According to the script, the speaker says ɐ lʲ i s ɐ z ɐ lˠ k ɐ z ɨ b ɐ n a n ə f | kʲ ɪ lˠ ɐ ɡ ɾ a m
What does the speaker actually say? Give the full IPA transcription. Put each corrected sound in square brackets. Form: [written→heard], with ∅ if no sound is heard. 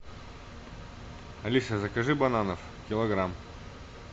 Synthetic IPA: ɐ lʲ i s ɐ z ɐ [lˠ→∅] k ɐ [z→ʐ] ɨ b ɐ n a n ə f | kʲ ɪ lˠ ɐ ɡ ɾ a m